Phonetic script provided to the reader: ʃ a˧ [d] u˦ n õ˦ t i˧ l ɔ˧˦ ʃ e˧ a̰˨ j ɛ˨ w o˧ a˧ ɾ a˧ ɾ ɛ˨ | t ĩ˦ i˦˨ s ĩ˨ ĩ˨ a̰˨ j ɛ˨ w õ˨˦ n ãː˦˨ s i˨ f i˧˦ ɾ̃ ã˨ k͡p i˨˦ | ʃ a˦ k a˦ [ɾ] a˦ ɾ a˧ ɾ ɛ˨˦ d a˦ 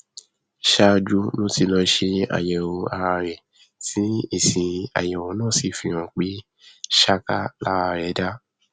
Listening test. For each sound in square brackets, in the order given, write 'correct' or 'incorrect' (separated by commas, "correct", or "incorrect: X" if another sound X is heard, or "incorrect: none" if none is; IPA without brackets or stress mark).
incorrect: d͡ʒ, incorrect: l